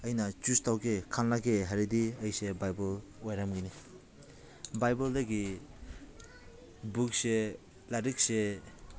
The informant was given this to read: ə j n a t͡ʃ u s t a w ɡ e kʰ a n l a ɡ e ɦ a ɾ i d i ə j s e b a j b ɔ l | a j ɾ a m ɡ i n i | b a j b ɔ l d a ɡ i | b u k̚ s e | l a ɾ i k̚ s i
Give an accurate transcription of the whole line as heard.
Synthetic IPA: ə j n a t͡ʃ u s t a w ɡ e kʰ a n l a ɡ e ɦ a ɾ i d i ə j s e b a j b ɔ l | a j ɾ a m ɡ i n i | b a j b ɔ l d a ɡ i | b u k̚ s e | l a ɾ i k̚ s e